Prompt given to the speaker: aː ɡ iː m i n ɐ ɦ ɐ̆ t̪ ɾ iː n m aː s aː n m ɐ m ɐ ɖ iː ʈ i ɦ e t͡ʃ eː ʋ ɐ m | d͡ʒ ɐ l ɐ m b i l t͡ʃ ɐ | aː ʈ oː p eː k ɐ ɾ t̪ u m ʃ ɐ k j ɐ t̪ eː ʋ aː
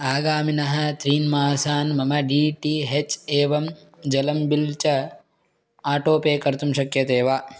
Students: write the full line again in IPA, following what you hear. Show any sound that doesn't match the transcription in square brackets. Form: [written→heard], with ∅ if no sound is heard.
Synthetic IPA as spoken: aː ɡ [iː→aː] m i n ɐ ɦ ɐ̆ t̪ ɾ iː n m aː s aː n m ɐ m ɐ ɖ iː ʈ i ɦ e t͡ʃ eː ʋ ɐ m | d͡ʒ ɐ l ɐ m b i l t͡ʃ ɐ | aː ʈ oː p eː k ɐ ɾ t̪ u m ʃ ɐ k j ɐ t̪ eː ʋ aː